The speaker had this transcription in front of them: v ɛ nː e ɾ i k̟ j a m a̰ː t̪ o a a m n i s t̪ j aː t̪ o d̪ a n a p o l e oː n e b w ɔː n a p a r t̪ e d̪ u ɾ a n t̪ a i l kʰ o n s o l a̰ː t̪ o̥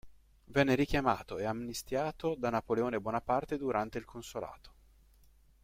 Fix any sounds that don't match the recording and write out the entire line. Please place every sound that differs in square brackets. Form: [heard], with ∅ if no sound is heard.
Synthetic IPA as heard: v ɛ nː e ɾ i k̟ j a m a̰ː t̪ o [e] a m n i s t̪ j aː t̪ o d̪ a n a p o l e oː n e b w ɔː n a p a r t̪ e d̪ u ɾ a n t̪ [e] i l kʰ o n s o l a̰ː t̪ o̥